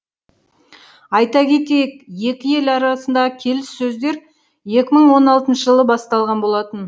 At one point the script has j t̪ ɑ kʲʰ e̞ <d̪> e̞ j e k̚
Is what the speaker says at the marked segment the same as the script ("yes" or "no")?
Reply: no